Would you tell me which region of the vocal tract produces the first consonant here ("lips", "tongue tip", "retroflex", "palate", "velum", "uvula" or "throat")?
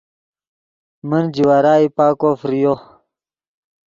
lips